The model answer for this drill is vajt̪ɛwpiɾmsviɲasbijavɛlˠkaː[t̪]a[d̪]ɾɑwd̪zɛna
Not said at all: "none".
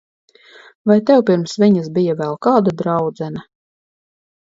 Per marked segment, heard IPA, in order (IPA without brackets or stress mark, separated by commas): d̪, d̪